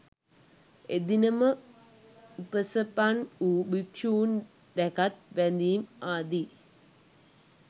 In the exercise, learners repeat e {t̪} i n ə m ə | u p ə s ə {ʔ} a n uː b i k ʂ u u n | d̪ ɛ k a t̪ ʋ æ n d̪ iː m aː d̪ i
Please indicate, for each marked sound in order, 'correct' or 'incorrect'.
incorrect: d̪, incorrect: p

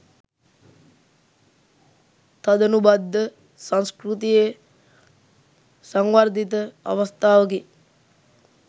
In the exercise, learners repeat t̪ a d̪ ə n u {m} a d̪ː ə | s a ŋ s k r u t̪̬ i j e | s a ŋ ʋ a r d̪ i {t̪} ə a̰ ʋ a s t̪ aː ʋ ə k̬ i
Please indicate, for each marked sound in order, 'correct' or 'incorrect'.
incorrect: b, correct

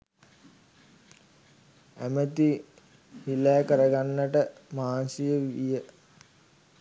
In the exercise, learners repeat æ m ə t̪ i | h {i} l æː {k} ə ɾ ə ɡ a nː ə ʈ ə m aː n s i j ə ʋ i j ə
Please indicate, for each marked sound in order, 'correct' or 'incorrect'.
correct, correct

